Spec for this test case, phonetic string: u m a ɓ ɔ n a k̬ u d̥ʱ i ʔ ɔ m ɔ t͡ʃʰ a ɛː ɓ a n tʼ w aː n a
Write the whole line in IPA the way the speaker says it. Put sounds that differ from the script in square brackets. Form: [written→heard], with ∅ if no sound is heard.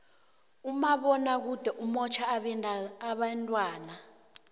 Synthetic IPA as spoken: u m a ɓ ɔ n a k̬ u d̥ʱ [i→ɛ] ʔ [ɔ→u] m ɔ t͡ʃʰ a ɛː ɓ a n tʼ w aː n a